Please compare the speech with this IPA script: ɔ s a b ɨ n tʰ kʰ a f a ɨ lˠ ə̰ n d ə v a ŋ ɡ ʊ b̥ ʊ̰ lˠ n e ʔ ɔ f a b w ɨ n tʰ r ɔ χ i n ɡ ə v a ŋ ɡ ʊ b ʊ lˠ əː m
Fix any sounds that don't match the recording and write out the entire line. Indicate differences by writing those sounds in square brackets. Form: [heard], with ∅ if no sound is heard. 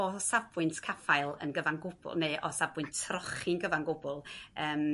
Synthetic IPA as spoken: ɔ s a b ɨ n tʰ kʰ a f a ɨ lˠ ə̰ n [ɡ] ə v a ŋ ɡ ʊ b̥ ʊ̰ lˠ n e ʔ ɔ [s] a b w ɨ n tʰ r ɔ χ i n ɡ ə v a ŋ ɡ ʊ b ʊ lˠ əː m

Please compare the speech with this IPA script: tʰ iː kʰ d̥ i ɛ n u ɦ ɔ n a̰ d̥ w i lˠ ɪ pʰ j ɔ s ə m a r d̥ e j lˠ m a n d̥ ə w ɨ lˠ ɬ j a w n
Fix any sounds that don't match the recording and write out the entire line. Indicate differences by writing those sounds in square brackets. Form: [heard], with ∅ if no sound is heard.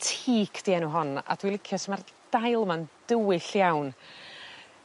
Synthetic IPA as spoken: tʰ iː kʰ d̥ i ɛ n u ɦ ɔ n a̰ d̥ w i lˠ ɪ [kʰ] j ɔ s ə m a r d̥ [a] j lˠ m a n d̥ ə w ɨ [∅] ɬ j a w n

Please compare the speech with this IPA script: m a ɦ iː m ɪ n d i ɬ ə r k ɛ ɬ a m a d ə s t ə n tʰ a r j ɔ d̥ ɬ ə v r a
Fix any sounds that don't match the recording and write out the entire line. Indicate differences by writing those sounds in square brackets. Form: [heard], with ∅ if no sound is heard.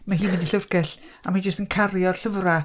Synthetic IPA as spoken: m a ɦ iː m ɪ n d i ɬ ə r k ɛ ɬ a m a [d͡ʒ] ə s t ə n [kʰ] a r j ɔ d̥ ɬ ə v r a

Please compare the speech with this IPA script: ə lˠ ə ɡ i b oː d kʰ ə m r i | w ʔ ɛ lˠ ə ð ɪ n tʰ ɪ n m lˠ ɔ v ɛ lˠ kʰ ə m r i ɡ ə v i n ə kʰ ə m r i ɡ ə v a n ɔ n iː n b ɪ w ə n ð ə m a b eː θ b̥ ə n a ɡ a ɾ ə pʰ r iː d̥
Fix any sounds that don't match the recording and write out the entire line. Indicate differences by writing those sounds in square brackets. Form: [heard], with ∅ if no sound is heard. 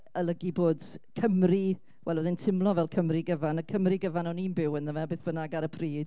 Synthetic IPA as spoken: ə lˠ ə ɡ i b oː d kʰ ə m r i | w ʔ ɛ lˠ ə ð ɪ n tʰ ɪ [∅] m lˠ ɔ v ɛ lˠ kʰ ə m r i ɡ ə v [a] n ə kʰ ə m r i ɡ ə v a n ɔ n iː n b ɪ w ə n ð ə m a b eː θ b̥ ə n a ɡ a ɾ ə pʰ r iː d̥

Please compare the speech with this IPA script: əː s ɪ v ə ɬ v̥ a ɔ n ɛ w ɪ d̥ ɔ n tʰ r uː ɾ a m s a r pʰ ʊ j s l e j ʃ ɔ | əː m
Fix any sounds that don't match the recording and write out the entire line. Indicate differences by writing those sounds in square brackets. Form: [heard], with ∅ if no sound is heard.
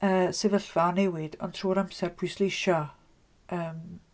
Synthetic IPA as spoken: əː s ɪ v ə ɬ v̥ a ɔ n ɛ w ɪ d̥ ɔ n tʰ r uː ɾ a m s [ɛ] r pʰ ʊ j s l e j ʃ ɔ | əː m

